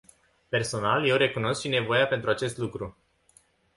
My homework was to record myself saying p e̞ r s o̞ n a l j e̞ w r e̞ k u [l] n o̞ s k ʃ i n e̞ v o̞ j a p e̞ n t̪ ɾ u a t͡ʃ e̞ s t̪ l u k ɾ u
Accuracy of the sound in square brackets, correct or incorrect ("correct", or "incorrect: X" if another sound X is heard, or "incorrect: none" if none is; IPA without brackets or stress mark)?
incorrect: none